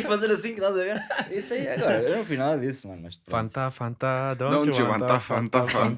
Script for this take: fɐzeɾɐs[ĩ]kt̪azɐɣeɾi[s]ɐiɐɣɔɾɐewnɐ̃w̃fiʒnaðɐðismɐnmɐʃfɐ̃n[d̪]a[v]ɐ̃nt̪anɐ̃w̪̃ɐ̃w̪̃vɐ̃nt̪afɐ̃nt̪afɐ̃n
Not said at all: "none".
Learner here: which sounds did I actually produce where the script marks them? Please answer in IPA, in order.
ĩ, s, t̪, f

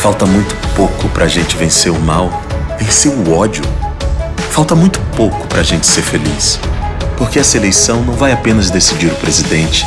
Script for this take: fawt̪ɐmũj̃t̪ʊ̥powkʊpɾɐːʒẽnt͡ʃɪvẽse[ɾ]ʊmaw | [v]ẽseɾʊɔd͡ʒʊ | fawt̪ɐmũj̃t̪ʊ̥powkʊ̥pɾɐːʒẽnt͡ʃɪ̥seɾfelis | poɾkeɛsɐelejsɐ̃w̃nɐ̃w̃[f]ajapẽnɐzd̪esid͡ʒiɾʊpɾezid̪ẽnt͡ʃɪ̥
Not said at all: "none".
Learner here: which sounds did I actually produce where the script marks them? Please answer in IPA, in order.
ɾ, v, v

